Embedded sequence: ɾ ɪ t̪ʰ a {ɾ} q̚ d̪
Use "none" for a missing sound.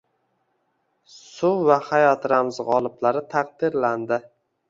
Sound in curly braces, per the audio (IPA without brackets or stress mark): none